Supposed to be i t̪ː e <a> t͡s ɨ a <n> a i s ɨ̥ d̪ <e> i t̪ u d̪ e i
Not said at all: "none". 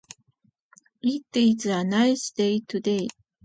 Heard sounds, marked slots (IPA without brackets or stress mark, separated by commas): i, n, e